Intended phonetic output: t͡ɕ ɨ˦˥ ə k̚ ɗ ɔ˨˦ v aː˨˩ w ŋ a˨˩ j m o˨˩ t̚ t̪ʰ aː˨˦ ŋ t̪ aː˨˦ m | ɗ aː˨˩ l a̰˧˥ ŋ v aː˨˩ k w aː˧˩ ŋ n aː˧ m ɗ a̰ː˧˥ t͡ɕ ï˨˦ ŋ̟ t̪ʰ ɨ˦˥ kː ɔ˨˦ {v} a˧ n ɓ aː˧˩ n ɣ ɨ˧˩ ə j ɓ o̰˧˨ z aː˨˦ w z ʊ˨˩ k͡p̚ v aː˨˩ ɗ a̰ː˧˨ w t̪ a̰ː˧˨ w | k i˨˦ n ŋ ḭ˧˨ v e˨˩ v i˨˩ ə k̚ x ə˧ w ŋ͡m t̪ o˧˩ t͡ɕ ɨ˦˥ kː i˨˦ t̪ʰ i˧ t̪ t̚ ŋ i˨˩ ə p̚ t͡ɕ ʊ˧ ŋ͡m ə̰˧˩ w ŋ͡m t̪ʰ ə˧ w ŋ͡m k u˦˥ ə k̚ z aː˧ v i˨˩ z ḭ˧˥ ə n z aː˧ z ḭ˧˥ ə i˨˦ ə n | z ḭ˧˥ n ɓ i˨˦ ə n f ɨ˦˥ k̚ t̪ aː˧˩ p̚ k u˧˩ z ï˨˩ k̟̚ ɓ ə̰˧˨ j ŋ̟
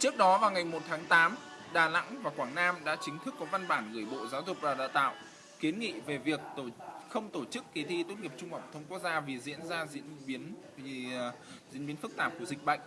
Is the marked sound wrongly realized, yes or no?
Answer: no